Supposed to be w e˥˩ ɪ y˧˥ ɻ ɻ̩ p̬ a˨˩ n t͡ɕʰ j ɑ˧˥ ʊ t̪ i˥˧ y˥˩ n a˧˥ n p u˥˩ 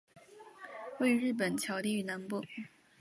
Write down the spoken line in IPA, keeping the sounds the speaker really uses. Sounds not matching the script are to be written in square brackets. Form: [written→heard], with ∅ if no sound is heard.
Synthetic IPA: w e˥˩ ɪ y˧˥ ɻ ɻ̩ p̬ [a˨˩→ə˨˩] n t͡ɕʰ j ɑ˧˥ ʊ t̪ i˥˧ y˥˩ n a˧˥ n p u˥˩

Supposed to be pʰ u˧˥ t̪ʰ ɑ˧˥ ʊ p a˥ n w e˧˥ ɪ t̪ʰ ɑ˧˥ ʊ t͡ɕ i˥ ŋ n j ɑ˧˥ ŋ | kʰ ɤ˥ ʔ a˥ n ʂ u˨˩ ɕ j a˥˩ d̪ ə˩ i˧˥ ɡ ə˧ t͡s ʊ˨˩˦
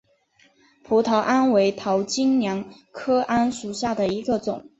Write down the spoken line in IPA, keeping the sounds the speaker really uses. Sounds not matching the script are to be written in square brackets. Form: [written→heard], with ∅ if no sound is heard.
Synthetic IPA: pʰ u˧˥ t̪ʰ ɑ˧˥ ʊ [p→ʔ] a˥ n w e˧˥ ɪ t̪ʰ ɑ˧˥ ʊ t͡ɕ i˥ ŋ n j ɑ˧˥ ŋ | kʰ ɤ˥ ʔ a˥ n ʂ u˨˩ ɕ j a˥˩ d̪ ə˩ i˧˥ ɡ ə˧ t͡s ʊ˨˩˦

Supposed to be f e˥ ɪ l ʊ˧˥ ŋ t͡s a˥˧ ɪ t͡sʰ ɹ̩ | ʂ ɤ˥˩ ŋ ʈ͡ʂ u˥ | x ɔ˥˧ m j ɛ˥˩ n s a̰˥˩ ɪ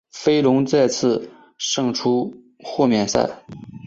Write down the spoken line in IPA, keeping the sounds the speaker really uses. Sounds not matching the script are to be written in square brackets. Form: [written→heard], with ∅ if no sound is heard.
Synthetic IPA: f e˥ ɪ l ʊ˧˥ ŋ t͡s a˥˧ ɪ t͡sʰ ɹ̩ | ʂ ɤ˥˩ ŋ [ʈ͡ʂ→ʈ͡ʂʰ] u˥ | x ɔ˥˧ m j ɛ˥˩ n s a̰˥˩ ɪ

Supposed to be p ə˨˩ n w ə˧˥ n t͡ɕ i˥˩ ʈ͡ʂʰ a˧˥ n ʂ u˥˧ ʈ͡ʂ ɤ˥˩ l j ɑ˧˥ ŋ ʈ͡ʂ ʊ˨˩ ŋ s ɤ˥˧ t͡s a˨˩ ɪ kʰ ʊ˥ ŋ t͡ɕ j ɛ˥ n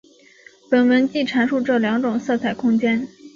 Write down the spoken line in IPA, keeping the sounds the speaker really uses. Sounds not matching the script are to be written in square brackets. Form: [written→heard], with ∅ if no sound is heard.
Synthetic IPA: p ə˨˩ n w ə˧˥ n t͡ɕ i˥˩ ʈ͡ʂʰ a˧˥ n ʂ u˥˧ ʈ͡ʂ ɤ˥˩ l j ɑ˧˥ ŋ ʈ͡ʂ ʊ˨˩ ŋ s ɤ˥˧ [t͡s→t͡sʰ] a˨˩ ɪ kʰ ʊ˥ ŋ t͡ɕ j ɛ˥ n

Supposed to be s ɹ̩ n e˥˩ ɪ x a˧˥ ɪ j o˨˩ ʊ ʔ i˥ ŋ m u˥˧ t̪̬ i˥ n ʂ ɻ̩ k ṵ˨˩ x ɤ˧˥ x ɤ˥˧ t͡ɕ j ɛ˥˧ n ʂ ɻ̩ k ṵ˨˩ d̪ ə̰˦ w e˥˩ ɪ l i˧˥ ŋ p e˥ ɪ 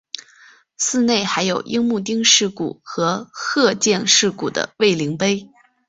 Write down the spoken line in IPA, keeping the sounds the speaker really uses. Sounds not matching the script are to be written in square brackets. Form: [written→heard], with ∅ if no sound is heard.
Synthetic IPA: s ɹ̩ n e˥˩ ɪ x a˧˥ ɪ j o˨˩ ʊ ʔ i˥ ŋ m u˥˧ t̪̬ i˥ [n→ŋ] ʂ ɻ̩ k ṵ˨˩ x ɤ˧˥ x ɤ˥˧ t͡ɕ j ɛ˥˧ n ʂ ɻ̩ k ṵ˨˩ d̪ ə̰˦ w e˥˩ ɪ l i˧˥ ŋ p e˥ ɪ

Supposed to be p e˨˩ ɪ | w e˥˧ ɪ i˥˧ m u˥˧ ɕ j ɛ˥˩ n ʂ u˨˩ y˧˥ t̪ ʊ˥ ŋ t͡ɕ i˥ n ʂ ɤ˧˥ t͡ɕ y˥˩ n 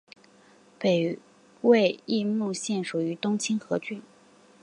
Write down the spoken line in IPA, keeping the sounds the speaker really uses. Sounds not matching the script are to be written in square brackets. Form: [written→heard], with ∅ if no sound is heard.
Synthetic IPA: p e˨˩ ɪ | w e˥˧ ɪ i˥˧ m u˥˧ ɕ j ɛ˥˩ n ʂ u˨˩ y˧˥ t̪ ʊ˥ ŋ [t͡ɕ→t͡ɕʰ] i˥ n [ʂ→x] ɤ˧˥ t͡ɕ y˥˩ n

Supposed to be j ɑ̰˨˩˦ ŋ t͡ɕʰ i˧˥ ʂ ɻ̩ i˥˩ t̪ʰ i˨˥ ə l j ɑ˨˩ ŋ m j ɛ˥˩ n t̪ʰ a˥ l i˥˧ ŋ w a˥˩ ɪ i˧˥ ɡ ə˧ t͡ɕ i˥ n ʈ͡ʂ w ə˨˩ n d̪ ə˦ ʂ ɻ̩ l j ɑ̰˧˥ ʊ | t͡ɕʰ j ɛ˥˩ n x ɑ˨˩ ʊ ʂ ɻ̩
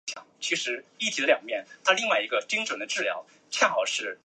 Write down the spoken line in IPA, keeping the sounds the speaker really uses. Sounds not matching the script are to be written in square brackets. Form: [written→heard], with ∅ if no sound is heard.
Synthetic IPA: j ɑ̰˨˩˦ ŋ t͡ɕʰ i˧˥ ʂ ɻ̩ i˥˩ t̪ʰ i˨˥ ə l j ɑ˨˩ ŋ m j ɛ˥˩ n t̪ʰ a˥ l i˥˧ ŋ w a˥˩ ɪ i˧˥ ɡ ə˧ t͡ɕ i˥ [n→ŋ] ʈ͡ʂ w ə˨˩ n d̪ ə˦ [ʂ→ʈ͡ʂ] ɻ̩ l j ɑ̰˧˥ ʊ | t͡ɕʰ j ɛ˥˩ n x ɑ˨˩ ʊ ʂ ɻ̩

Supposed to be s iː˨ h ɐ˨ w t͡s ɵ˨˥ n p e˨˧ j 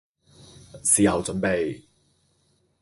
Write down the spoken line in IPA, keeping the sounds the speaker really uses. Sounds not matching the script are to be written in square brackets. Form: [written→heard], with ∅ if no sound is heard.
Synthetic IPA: s iː˨ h ɐ˨ w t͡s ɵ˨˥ n p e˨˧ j

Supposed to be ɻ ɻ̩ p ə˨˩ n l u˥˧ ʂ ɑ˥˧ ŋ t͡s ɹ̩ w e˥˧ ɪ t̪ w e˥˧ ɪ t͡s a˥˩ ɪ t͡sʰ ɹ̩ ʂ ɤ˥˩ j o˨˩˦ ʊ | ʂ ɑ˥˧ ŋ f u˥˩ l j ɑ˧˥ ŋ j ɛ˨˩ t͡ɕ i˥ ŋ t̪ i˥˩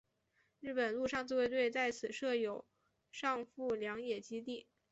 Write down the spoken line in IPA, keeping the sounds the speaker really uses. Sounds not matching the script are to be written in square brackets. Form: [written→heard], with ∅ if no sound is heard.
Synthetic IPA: ɻ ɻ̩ p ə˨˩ n l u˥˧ ʂ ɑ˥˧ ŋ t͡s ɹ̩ w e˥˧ ɪ t̪ w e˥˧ ɪ t͡s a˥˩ ɪ t͡sʰ ɹ̩ ʂ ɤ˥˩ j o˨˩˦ ʊ | ʂ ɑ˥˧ ŋ f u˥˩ l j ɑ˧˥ ŋ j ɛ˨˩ t͡ɕ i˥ [ŋ→∅] t̪ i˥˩

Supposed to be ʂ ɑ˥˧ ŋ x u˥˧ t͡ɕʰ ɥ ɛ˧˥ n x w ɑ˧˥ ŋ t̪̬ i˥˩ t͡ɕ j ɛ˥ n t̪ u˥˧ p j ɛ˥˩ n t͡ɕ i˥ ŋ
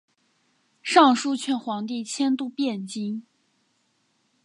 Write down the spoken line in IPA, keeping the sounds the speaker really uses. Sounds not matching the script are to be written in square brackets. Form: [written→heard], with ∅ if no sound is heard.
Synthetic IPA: ʂ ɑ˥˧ ŋ [x→ʂ] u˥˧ t͡ɕʰ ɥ [ɛ˧˥→ɛ˥˩] n x w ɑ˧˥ ŋ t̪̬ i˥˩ [t͡ɕ→t͡ɕʰ] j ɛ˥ n t̪ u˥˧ p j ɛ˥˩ n t͡ɕ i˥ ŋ

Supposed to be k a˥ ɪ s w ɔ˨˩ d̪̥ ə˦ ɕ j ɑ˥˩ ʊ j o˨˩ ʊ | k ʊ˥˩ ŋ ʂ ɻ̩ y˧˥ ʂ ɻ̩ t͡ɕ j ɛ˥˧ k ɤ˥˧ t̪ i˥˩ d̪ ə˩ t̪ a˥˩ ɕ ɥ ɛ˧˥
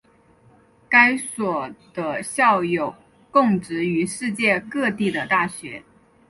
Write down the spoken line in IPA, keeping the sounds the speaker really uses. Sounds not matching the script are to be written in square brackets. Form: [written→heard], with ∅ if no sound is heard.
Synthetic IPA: k a˥ ɪ s w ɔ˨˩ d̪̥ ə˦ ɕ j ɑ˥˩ ʊ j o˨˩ ʊ | k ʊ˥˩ ŋ [ʂ→ʈ͡ʂ] ɻ̩ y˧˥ ʂ ɻ̩ t͡ɕ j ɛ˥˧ k ɤ˥˧ t̪ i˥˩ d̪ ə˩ t̪ a˥˩ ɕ ɥ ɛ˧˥

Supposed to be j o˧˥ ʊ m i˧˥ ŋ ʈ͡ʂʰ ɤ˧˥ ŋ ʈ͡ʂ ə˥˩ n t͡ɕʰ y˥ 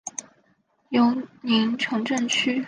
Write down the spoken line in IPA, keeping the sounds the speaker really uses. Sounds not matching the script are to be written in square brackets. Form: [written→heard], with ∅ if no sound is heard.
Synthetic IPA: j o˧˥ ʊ [m→n] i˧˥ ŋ ʈ͡ʂʰ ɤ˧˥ ŋ ʈ͡ʂ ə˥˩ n t͡ɕʰ y˥

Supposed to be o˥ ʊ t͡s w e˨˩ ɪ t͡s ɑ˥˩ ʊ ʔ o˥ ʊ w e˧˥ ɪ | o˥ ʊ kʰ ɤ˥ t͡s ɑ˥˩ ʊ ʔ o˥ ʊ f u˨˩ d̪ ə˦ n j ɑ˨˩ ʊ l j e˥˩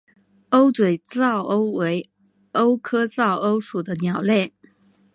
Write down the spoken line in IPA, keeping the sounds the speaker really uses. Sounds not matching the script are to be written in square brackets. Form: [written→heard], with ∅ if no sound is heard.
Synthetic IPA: o˥ ʊ t͡s w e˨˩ ɪ t͡s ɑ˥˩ ʊ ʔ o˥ ʊ w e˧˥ ɪ | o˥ ʊ kʰ ɤ˥ t͡s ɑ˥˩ ʊ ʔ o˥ ʊ [f→ʂ] u˨˩ d̪ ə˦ n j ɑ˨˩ ʊ l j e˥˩

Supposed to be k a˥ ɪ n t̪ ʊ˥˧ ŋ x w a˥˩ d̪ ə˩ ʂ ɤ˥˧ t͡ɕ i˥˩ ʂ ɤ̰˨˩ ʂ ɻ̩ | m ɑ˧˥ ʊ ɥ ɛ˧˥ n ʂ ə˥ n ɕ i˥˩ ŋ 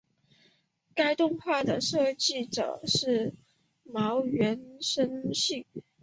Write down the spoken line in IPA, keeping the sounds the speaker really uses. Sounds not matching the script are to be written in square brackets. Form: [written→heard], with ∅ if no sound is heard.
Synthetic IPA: k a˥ ɪ [n→∅] t̪ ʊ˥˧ ŋ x w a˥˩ d̪ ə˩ ʂ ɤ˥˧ t͡ɕ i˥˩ [ʂ→ʈ͡ʂ] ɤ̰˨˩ ʂ ɻ̩ | m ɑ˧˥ ʊ ɥ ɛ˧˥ n ʂ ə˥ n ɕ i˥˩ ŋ

